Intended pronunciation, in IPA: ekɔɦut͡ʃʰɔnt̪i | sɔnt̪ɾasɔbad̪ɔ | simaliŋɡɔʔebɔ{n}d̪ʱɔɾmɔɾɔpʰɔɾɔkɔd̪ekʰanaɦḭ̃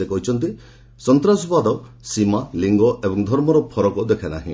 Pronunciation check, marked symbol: incorrect: ŋ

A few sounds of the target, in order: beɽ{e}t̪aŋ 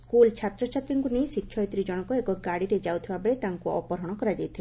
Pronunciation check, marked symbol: correct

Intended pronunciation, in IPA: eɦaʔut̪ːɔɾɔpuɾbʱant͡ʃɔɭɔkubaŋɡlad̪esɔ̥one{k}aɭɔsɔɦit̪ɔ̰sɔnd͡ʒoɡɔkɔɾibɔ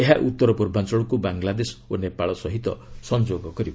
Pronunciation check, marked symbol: incorrect: p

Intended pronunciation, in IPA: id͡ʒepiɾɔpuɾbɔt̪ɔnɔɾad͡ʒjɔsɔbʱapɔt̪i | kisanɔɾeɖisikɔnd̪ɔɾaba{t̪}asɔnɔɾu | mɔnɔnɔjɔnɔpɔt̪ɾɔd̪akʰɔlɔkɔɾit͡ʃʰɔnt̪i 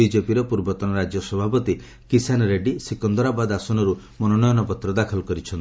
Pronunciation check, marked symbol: incorrect: d̪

